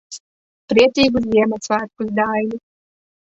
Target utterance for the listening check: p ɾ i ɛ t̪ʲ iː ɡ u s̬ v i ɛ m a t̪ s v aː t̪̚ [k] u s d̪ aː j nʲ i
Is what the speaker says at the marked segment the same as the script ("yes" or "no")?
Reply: yes